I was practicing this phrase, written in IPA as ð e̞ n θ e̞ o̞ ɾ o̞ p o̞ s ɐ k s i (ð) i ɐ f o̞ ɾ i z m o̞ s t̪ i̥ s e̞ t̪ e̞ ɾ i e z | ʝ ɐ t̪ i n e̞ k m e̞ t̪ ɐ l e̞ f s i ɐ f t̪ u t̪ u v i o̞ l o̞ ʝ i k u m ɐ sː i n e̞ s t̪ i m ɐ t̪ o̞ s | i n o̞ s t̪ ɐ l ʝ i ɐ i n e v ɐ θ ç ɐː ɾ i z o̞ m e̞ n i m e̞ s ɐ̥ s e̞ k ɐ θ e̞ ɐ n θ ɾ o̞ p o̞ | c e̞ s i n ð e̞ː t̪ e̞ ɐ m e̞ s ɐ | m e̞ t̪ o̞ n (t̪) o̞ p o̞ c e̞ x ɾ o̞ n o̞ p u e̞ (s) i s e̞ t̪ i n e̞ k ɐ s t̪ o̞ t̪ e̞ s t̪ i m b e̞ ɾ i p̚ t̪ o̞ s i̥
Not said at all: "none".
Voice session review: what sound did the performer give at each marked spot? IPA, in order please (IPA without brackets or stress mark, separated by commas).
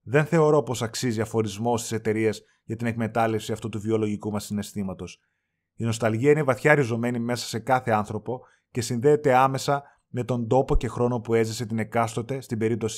z, d̪, z